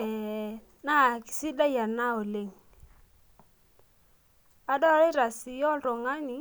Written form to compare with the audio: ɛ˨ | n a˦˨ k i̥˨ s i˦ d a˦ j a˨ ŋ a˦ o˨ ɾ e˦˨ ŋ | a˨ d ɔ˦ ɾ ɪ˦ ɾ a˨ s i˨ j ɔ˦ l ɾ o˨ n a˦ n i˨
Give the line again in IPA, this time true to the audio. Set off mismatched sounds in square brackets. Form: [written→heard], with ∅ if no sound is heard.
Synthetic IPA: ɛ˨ | n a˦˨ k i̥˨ s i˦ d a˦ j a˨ [ŋ→n] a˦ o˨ [ɾ→l] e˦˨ ŋ | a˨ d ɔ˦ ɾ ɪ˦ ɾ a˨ s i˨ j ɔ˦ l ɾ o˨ [n→ŋ] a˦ n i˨